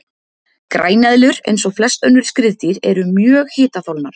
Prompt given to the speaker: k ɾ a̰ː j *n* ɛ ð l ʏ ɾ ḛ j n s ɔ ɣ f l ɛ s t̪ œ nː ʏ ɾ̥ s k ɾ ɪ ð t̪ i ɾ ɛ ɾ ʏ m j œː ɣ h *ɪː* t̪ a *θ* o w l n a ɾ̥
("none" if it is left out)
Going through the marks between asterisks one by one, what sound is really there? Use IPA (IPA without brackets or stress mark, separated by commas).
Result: n, ɪː, θ